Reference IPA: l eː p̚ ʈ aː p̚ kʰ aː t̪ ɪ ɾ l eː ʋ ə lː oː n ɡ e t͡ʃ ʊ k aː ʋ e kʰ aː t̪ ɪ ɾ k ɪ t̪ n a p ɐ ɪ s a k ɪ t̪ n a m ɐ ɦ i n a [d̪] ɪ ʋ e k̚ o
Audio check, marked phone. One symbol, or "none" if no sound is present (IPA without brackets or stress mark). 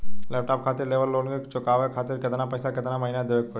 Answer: d̪